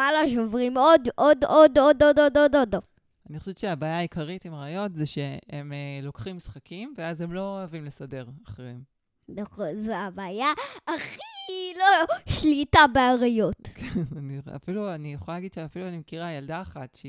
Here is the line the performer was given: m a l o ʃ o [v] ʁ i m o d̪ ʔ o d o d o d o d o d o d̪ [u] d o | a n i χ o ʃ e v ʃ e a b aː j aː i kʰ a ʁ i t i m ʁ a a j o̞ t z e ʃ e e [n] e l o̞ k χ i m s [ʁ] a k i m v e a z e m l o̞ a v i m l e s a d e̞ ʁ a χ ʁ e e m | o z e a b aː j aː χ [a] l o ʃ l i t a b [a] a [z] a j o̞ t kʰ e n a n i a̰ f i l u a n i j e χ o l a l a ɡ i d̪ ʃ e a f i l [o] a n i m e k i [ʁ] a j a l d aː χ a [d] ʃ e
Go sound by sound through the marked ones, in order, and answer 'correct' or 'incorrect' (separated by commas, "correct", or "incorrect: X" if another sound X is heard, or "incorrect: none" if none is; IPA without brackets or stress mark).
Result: correct, incorrect: o, incorrect: m, incorrect: χ, incorrect: i, incorrect: e, incorrect: ʁ, incorrect: u, correct, incorrect: t